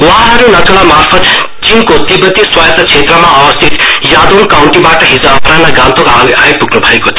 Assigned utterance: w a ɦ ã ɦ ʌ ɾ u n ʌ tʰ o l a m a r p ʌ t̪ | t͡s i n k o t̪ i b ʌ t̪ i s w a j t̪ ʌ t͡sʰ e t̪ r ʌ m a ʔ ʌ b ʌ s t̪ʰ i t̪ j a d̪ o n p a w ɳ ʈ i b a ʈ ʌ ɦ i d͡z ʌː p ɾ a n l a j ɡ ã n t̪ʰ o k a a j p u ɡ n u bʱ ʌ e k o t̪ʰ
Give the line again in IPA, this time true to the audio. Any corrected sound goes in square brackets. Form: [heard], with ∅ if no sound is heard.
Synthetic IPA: w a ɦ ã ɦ ʌ ɾ u n ʌ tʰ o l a m a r [pʰ] ʌ t̪ | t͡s i n k o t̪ i b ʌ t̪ i s w a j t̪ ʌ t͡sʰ e t̪ r ʌ m a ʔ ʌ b ʌ s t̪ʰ i t̪ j a d̪ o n [k] a w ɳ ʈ i b a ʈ ʌ ɦ i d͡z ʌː p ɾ a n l a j ɡ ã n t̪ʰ o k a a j p u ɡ n u bʱ ʌ e k o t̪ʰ